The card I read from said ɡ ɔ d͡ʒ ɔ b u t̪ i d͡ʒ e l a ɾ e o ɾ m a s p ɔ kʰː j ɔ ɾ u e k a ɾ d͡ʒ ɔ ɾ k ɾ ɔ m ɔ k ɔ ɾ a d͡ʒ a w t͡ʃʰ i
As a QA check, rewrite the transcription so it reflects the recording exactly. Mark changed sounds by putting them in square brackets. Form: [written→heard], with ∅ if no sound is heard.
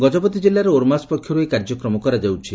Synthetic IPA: ɡ ɔ d͡ʒ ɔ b [u→ɔ] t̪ i d͡ʒ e l a ɾ e o ɾ m a s p ɔ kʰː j ɔ ɾ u e k a ɾ d͡ʒ ɔ [ɾ→∅] k ɾ ɔ m ɔ k ɔ ɾ a d͡ʒ a w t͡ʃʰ i